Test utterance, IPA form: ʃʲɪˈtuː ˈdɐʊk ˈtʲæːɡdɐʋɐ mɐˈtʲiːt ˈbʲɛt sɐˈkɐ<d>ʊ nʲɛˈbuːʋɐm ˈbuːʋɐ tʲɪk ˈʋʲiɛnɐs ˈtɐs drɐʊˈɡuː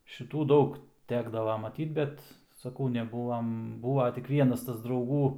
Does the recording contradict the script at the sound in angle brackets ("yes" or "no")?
yes